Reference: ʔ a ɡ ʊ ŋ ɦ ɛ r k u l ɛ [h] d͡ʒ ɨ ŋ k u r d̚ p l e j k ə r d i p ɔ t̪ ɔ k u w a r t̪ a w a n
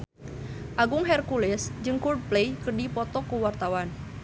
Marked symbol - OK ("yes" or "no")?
no